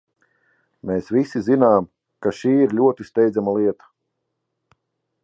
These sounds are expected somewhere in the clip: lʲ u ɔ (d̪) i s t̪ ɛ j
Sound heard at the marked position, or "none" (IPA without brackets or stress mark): t̪